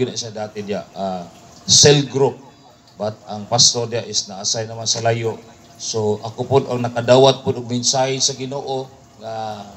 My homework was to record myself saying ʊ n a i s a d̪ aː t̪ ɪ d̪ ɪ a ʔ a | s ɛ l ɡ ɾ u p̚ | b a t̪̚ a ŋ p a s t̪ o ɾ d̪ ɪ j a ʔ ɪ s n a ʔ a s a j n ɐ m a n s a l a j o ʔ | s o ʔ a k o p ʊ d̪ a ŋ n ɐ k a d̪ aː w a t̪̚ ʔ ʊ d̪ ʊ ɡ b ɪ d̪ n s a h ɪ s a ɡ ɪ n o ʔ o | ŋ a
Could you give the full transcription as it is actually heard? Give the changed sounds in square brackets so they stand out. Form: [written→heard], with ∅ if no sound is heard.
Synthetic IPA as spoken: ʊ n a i s a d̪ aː t̪ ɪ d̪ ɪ a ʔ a | s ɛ l ɡ ɾ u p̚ | b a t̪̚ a ŋ p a s t̪ o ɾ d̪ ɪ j a ʔ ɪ s n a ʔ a s a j n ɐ m a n s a l a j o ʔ | s o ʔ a k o p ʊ d̪ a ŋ n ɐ k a d̪ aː w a t̪̚ [ʔ→p] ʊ d̪ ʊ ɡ b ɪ [d̪→∅] n s a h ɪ s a ɡ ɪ n o ʔ o | ŋ a